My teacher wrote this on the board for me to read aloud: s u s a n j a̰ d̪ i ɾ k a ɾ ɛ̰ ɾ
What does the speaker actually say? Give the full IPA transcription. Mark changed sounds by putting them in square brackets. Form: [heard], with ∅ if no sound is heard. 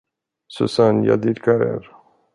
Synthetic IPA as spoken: s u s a n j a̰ d̪ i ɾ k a ɾ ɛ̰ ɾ